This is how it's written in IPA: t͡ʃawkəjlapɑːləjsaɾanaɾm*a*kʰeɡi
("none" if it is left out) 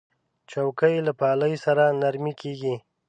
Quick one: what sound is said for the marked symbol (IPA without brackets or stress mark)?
i